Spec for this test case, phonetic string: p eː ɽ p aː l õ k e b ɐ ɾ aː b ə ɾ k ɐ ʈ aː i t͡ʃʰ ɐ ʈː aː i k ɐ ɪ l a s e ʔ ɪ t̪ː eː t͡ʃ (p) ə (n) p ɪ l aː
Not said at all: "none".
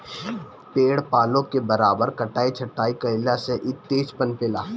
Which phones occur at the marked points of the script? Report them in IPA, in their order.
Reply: p, n

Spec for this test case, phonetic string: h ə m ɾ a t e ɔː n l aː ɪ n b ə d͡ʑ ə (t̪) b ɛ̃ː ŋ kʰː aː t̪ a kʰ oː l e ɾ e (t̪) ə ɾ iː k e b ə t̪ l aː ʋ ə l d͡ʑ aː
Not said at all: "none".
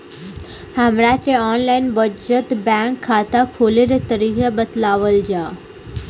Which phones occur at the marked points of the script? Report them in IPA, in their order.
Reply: t̪, t̪

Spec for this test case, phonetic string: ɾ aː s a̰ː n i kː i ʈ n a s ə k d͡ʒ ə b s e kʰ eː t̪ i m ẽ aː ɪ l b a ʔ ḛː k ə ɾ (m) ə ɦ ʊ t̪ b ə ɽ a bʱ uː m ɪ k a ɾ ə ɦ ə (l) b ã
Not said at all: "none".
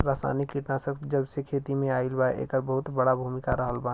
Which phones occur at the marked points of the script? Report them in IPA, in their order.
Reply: b, l

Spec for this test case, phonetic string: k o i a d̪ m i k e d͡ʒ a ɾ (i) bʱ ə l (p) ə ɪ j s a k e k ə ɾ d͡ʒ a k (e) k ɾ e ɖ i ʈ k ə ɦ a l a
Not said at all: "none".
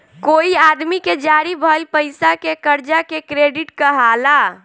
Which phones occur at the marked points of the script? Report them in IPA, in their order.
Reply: i, p, e

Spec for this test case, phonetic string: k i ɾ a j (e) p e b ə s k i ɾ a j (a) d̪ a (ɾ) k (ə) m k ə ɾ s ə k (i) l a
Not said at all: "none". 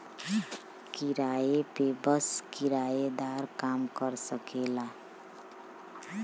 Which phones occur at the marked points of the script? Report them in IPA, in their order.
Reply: e, e, ɾ, a, e

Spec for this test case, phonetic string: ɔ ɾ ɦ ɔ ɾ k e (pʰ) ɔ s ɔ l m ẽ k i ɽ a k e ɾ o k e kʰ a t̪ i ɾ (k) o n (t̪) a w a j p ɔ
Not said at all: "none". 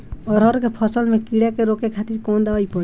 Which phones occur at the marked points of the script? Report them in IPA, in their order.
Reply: pʰ, k, d̪

